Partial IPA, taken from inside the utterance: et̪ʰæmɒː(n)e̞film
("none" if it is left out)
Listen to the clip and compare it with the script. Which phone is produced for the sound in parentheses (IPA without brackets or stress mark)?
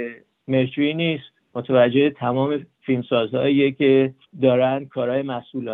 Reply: m